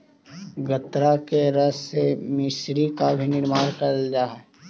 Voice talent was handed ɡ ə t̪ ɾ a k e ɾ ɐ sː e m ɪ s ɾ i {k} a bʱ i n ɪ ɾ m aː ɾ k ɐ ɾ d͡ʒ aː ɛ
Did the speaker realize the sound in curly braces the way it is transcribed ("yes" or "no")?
yes